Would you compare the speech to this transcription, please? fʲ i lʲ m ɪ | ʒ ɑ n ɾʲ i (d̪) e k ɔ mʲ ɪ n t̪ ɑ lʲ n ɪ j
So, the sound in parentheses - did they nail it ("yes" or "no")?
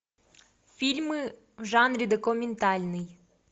yes